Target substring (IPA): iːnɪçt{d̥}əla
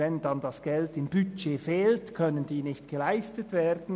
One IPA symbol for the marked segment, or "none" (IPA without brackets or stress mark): ɡ̥